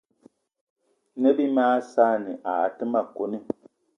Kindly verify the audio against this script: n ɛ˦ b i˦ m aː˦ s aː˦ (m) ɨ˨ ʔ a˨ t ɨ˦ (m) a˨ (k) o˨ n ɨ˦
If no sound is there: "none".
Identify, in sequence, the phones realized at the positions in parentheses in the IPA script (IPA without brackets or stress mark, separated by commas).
n, m, k